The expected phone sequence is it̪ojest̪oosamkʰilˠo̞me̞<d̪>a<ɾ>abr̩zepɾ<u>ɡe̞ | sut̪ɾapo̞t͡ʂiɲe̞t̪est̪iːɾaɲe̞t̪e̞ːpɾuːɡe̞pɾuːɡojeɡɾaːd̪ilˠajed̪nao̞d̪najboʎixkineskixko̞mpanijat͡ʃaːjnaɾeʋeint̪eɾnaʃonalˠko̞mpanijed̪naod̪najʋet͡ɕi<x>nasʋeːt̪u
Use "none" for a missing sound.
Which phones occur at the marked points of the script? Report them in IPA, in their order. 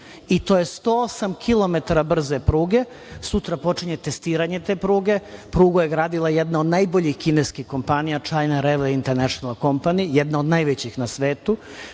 t̪, ɾ, uː, x

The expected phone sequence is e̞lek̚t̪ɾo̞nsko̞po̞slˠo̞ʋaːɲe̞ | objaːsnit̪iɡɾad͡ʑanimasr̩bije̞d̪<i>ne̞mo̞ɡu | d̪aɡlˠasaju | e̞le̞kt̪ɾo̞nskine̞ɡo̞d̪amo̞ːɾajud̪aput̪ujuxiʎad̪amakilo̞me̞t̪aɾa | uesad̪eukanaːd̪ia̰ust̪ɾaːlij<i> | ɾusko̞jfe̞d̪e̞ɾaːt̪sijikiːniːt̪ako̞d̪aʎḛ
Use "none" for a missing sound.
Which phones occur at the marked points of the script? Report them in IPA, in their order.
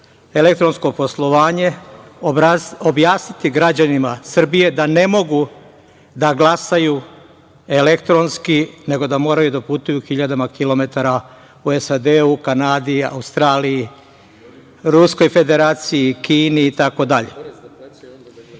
a, i

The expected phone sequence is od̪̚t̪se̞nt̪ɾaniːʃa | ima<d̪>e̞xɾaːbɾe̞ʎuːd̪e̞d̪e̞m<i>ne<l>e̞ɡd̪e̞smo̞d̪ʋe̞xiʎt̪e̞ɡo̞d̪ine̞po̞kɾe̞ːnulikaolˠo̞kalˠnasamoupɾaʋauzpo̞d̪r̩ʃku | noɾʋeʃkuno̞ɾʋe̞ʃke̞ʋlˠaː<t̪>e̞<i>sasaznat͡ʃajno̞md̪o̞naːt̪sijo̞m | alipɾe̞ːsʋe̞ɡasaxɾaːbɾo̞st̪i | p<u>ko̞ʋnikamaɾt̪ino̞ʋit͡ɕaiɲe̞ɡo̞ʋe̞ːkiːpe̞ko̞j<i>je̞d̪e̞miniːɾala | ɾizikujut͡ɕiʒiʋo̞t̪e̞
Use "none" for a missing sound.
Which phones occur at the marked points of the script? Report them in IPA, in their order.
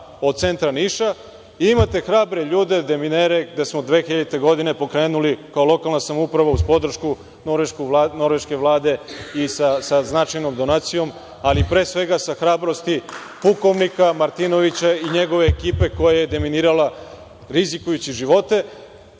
t̪, i, ɾ, d̪, i, u, a

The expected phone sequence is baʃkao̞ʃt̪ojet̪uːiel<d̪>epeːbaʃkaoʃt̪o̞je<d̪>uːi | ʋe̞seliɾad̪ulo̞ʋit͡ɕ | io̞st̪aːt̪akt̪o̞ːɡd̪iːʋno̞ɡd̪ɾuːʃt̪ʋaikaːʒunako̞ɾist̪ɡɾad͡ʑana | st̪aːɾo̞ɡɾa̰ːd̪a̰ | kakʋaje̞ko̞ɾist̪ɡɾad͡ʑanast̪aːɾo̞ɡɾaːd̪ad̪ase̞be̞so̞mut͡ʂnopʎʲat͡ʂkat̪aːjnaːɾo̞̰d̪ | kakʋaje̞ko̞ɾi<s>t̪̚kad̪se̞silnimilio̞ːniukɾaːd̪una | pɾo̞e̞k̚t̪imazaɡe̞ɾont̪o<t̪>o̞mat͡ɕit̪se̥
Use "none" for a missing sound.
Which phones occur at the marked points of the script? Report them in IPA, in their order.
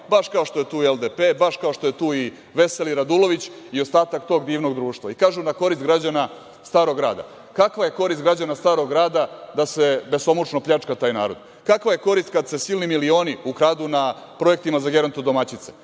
d̪, t̪, s, d̪

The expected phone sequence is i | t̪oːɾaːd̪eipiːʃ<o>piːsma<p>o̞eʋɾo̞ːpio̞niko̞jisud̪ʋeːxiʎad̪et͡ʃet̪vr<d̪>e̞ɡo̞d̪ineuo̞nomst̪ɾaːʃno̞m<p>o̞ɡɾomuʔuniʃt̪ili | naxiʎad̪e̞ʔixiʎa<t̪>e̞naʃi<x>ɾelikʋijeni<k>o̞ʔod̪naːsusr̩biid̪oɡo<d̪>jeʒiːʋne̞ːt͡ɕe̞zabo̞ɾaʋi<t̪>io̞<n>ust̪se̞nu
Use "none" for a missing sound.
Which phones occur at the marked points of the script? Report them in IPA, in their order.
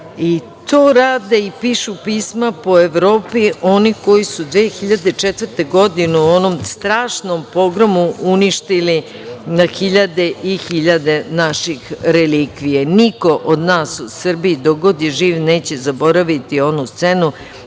u, p, t̪, p, d̪, x, k, d̪, t̪, n

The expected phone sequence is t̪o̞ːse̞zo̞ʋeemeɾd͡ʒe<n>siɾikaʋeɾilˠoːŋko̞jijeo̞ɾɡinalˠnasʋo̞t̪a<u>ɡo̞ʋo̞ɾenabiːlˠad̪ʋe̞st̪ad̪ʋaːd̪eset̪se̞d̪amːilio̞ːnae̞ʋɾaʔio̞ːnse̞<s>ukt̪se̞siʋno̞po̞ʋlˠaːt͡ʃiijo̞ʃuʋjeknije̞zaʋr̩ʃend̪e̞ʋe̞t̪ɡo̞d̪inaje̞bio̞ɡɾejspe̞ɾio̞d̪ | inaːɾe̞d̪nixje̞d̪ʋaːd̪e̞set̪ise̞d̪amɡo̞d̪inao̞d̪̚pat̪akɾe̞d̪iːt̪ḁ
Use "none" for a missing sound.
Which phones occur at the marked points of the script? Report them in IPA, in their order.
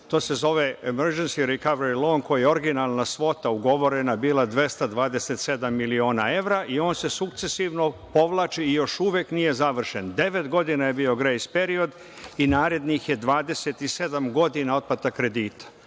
n, u, s

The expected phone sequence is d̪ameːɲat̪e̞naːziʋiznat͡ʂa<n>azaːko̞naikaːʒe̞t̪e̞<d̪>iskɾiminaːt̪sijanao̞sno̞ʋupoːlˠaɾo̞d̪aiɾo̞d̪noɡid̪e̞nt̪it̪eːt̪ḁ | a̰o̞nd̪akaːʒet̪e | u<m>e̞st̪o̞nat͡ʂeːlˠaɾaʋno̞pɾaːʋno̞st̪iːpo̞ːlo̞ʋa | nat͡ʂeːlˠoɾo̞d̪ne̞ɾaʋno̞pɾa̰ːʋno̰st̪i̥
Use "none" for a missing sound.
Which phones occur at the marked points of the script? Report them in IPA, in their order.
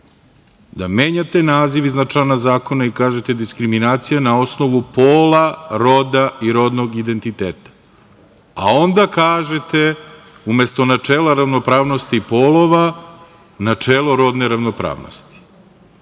n, d̪, m

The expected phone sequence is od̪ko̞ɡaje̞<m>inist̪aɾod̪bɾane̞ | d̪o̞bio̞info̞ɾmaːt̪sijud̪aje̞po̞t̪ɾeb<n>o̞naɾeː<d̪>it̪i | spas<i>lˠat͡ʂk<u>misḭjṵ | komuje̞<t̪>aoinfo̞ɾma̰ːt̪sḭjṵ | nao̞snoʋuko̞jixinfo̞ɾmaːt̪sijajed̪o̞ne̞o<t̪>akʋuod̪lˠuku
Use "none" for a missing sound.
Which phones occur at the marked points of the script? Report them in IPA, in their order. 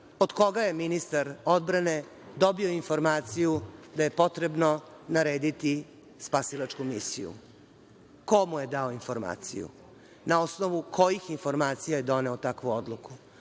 m, n, d̪, i, u, d̪, t̪

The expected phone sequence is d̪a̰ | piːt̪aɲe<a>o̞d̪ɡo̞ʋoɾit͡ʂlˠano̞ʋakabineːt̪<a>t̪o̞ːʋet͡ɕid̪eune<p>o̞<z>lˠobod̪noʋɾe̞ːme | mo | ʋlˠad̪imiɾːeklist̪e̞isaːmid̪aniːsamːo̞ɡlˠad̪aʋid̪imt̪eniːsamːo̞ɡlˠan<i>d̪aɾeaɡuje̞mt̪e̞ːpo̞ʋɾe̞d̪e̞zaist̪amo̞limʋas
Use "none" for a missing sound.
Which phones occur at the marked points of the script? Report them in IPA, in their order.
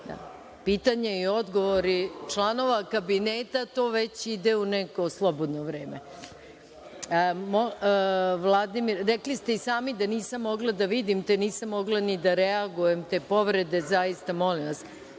i, a, k, s, i

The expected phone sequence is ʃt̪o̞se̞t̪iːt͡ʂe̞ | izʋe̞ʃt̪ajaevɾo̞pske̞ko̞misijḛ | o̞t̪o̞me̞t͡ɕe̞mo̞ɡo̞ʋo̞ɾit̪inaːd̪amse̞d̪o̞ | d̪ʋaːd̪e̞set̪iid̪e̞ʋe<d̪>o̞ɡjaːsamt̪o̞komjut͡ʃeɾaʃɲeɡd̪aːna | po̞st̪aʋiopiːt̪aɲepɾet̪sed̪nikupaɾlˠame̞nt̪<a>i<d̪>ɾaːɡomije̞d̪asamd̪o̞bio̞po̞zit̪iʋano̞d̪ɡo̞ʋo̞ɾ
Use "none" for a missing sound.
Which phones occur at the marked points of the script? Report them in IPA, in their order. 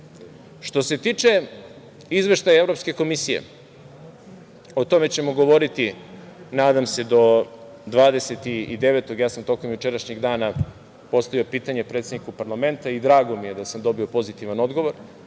t̪, a, d̪

